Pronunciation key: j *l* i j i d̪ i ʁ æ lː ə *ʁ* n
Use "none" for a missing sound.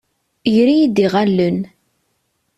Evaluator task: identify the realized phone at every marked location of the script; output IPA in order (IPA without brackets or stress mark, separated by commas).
ɾ, none